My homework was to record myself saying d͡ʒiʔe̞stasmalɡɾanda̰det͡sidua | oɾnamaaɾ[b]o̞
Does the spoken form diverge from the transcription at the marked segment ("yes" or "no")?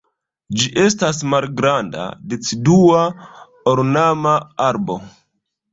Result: no